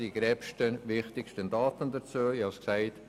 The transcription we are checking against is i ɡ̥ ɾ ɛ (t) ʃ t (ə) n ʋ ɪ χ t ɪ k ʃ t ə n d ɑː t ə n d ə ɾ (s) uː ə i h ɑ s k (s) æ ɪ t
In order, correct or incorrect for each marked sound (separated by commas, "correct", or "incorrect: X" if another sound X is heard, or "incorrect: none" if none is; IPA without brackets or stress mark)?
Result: incorrect: p, correct, incorrect: t͡s, correct